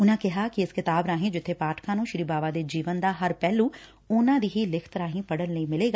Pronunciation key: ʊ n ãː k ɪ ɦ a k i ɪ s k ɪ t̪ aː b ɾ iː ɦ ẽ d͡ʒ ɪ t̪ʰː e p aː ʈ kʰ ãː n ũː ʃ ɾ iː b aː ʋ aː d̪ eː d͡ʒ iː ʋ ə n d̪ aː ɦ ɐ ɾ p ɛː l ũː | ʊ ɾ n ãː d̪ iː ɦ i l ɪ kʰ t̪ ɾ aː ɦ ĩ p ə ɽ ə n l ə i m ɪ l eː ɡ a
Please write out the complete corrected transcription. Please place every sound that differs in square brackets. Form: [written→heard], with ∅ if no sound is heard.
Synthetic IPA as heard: ʊ n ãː k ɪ ɦ a k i ɪ s k ɪ t̪ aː b ɾ [iː→aː] ɦ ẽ d͡ʒ ɪ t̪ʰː e p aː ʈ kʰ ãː n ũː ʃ ɾ iː b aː ʋ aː d̪ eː d͡ʒ iː ʋ ə n d̪ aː ɦ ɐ ɾ p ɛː l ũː | ʊ [ɾ→∅] n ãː d̪ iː ɦ i l ɪ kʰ t̪ ɾ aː ɦ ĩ p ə ɽ ə n l ə i m ɪ l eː ɡ a